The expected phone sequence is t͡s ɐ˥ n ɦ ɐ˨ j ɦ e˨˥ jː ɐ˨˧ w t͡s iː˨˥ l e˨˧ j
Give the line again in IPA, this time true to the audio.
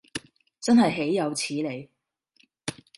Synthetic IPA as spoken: t͡s ɐ˥ n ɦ ɐ˨ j ɦ e˨˥ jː ɐ˨˧ w t͡sʰ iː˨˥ l e˨˧ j